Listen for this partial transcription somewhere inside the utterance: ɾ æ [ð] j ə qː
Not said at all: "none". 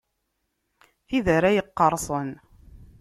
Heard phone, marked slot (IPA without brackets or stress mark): none